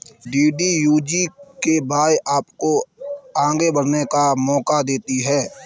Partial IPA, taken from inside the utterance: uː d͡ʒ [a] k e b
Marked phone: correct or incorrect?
incorrect